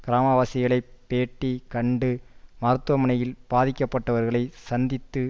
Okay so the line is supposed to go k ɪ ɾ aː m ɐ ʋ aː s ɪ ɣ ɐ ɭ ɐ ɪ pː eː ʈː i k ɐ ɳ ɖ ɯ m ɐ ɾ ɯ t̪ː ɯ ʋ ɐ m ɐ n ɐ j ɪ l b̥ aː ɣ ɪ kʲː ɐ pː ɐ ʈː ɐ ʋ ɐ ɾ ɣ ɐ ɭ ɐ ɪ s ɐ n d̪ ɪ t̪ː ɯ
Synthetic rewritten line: k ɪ ɾ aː m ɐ ʋ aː s ɪ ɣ ɐ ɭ ɐ ɪ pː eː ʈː i k ɐ ɳ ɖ ɯ m ɐ ɾ ɯ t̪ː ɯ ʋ ɐ m ɐ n ɐ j ɪ l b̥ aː ð ɪ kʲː ɐ pː ɐ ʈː ɐ ʋ ɐ ɾ ɣ ɐ ɭ ɐ ɪ s ɐ n d̪ ɪ t̪ː ɯ